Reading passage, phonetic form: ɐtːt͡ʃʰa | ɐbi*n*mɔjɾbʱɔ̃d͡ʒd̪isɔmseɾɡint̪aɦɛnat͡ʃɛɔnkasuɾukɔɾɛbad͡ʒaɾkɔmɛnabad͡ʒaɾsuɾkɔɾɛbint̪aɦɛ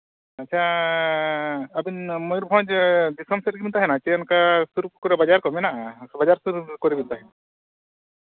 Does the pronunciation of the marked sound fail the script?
no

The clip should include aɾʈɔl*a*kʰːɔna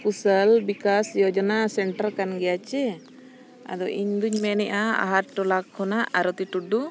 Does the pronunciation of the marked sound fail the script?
no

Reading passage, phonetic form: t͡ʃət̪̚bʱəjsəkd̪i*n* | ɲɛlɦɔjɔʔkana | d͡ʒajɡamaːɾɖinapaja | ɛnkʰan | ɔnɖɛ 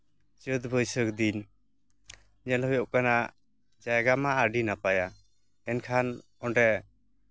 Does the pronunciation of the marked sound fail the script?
no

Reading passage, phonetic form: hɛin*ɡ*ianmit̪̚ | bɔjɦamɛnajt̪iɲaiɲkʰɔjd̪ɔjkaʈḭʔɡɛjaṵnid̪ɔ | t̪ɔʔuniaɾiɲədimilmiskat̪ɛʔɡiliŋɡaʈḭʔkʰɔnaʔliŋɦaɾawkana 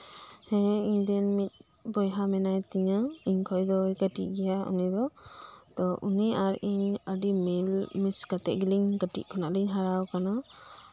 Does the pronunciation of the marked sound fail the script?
yes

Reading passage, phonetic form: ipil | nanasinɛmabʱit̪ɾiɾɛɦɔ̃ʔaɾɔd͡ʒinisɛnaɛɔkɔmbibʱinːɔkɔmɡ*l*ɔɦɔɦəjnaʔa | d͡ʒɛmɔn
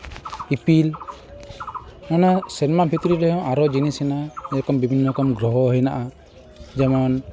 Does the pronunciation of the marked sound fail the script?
yes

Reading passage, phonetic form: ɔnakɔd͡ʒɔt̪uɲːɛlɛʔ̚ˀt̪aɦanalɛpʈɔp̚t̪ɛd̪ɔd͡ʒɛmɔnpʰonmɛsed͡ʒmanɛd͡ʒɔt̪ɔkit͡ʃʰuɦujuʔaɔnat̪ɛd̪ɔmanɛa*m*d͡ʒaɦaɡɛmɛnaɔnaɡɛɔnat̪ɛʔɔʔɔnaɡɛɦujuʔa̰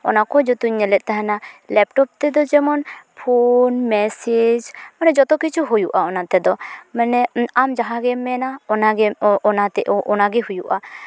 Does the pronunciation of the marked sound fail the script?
no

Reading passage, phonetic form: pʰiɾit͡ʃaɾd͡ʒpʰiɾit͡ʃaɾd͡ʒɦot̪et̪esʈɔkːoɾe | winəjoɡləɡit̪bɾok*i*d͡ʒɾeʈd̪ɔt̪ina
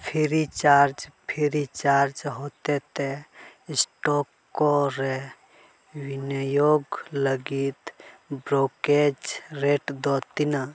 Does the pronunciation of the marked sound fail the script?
yes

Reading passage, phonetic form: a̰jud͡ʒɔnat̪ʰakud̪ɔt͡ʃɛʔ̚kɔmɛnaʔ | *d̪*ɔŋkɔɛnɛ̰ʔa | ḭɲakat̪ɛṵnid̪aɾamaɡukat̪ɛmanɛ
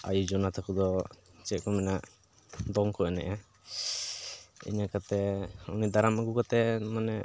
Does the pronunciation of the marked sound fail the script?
no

